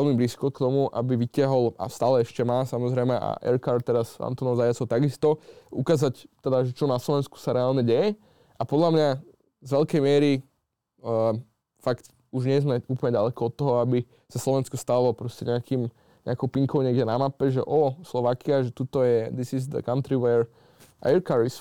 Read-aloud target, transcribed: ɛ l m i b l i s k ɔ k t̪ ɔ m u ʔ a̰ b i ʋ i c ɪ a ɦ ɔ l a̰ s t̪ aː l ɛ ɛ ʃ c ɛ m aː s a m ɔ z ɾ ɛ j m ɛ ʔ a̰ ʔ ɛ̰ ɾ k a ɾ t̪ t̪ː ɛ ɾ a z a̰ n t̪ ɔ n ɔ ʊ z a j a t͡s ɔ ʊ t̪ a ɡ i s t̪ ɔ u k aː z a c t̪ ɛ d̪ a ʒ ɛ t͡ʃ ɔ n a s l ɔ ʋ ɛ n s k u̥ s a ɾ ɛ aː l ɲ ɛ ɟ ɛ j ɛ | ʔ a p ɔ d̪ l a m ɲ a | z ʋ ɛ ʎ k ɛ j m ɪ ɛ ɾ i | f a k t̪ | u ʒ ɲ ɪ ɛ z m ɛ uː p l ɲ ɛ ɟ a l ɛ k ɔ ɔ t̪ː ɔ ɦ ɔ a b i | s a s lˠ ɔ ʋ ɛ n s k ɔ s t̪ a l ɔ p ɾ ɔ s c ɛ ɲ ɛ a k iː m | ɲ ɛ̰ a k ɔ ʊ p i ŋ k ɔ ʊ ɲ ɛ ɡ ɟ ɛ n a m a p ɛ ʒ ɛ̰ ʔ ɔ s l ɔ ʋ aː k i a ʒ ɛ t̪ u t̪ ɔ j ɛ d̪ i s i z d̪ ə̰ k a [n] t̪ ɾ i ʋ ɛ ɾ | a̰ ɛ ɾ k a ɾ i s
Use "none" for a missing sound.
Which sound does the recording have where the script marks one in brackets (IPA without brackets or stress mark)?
n